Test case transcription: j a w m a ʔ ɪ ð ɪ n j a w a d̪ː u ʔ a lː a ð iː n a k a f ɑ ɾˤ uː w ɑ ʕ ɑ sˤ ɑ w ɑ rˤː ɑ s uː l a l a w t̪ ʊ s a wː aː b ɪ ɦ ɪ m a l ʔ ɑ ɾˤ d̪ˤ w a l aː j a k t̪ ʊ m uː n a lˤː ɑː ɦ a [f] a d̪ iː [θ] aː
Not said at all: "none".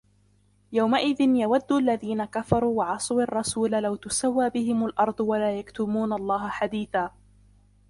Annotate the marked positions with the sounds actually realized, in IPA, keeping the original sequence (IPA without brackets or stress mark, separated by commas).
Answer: ħ, θ